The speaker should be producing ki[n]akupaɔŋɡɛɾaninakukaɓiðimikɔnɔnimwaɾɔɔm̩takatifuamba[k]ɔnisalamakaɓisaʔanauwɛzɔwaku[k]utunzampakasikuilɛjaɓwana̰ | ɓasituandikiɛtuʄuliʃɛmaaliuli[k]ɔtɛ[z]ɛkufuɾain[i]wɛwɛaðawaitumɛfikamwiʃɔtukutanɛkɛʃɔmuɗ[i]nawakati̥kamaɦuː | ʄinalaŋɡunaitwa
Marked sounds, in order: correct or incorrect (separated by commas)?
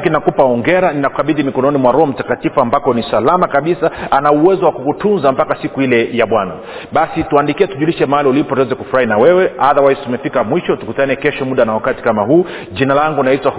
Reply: correct, correct, correct, incorrect, correct, incorrect, incorrect